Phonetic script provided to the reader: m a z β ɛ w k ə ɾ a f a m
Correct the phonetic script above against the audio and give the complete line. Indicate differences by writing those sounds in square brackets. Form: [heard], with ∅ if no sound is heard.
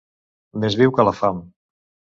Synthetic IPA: m [e] z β [i] w k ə [l] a f a m